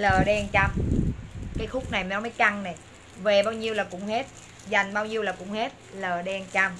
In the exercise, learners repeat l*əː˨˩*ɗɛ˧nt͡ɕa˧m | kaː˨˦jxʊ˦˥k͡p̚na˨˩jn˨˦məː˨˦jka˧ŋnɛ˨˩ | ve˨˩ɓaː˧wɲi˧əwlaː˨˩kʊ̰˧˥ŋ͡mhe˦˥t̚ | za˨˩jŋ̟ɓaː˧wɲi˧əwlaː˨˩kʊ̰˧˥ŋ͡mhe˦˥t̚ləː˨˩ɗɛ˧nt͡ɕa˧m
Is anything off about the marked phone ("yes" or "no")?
no